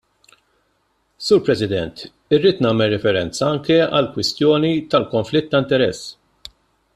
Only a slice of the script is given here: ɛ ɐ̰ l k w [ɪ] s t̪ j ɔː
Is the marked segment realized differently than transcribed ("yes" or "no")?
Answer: no